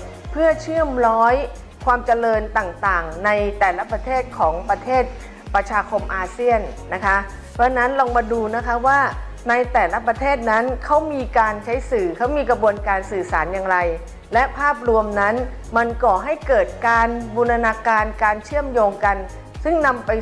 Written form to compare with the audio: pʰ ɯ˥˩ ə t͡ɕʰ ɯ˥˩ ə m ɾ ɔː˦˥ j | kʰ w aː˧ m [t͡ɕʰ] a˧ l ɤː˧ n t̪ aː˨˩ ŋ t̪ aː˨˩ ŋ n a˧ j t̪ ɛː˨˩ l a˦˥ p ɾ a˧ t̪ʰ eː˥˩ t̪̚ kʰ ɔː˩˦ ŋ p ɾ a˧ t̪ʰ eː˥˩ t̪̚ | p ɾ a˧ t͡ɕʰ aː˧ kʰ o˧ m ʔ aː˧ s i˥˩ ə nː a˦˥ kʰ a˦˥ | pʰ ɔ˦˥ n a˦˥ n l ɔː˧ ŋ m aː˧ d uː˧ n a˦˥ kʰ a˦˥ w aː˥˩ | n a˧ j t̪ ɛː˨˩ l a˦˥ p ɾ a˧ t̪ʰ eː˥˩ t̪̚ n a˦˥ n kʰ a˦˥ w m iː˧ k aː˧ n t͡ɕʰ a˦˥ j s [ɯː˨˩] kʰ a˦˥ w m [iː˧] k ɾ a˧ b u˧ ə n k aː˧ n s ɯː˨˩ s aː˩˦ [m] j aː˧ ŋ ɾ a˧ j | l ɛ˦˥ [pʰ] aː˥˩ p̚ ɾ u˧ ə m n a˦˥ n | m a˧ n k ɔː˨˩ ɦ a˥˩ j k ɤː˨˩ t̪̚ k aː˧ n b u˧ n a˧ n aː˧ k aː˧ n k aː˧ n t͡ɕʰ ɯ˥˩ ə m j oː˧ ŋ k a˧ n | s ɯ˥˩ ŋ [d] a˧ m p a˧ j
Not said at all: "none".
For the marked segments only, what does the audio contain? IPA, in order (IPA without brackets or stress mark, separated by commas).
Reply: t͡ɕ, ɯː˨˩, iː˧, n, pʰ, n